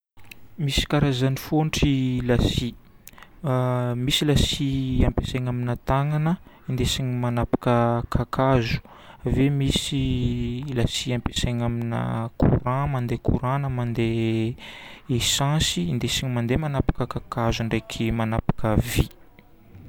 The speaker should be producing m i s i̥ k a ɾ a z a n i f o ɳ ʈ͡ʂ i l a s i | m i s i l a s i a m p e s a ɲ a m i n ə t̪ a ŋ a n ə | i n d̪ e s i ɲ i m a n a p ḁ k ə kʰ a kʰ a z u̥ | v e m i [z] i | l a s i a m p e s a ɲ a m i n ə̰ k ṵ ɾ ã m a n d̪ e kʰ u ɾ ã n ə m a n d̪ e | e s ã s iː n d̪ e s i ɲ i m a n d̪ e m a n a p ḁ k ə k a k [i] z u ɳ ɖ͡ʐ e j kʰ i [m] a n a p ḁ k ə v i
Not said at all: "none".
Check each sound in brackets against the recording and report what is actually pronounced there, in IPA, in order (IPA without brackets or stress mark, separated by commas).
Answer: s, a, m